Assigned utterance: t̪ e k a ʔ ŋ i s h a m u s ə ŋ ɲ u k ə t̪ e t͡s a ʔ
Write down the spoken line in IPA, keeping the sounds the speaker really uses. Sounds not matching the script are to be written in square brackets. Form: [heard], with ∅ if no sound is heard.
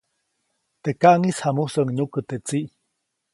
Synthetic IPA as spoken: t̪ e k a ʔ ŋ i s h a m u s ə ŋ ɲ u k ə t̪ e t͡s [i] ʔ